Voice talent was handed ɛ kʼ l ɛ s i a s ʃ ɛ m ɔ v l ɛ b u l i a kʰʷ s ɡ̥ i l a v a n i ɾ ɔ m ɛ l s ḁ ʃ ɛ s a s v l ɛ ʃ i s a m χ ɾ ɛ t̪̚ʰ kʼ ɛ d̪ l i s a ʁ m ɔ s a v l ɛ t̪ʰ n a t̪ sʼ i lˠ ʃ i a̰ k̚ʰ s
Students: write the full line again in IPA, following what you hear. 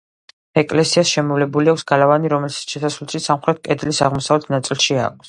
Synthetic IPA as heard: ɛ kʼ l ɛ s i a s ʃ ɛ m ɔ v l ɛ b u l i a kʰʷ s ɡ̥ a l a v a n i ɾ ɔ m ɛ l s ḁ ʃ ɛ s a s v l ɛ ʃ i s a m χ ɾ ɛ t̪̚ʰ kʼ ɛ d̪ l i s a ʁ m ɔ s a v l ɛ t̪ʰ n a t̪ sʼ i lˠ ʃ i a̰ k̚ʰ s